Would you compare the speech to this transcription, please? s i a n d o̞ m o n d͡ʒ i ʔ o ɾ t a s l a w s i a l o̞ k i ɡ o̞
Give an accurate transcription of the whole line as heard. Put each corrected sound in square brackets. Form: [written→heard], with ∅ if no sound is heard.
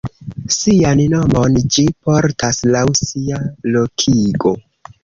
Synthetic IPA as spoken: s i a n [d→n] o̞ m o n d͡ʒ i [ʔ→p] o ɾ t a s l a w s i a l o̞ [k→kʰ] i ɡ o̞